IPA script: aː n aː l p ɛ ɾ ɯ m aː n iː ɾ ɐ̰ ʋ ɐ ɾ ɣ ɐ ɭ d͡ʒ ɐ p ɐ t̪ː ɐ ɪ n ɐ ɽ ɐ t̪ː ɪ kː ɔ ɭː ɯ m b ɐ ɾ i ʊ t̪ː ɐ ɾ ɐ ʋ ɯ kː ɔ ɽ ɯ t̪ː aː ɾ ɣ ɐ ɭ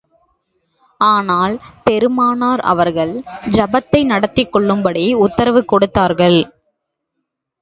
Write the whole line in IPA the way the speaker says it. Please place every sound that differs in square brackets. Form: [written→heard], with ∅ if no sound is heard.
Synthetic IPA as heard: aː n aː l p ɛ ɾ ɯ m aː n [iː→aː] ɾ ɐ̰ ʋ ɐ ɾ ɣ ɐ ɭ d͡ʒ ɐ [p→b] ɐ t̪ː ɐ ɪ n ɐ ɽ ɐ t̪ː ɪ kː ɔ ɭː ɯ m b ɐ [ɾ→ɽ] i ʊ t̪ː ɐ ɾ ɐ ʋ ɯ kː ɔ ɽ ɯ t̪ː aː ɾ ɣ ɐ ɭ